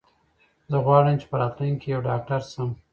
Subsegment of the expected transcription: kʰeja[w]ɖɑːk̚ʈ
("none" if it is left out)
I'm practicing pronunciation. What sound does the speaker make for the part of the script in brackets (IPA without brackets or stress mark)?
w